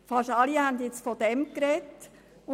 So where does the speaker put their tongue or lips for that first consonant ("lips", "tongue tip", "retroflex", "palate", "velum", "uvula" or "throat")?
lips